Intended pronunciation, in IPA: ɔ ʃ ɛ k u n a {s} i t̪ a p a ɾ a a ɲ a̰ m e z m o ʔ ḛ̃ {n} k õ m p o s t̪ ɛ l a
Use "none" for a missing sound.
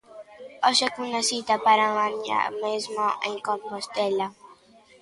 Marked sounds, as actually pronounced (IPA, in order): s, ŋ

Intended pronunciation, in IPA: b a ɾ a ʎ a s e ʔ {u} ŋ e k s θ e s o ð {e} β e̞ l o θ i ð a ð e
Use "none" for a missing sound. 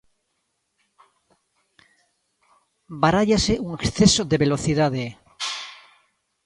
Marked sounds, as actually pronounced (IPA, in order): u, e

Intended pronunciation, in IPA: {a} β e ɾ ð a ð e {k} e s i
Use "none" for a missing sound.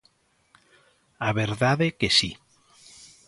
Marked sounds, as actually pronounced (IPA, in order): a, k

